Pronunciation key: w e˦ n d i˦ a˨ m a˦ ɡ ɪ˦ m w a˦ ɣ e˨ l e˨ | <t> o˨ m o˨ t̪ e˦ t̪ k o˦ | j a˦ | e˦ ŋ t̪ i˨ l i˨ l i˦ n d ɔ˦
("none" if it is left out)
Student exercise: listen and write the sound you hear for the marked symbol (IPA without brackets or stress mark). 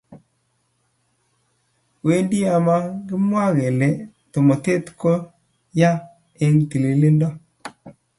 t